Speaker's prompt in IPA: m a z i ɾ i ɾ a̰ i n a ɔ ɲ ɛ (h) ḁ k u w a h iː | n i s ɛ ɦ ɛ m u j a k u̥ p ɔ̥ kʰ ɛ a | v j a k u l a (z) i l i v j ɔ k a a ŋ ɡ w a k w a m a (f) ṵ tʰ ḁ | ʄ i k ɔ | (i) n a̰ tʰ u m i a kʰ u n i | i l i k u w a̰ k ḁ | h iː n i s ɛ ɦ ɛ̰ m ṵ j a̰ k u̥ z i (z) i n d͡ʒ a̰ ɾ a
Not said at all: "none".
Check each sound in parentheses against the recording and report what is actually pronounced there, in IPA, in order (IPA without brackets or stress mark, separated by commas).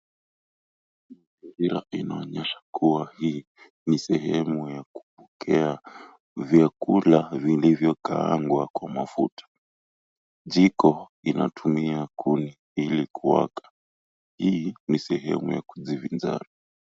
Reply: ʃ, v, f, i, v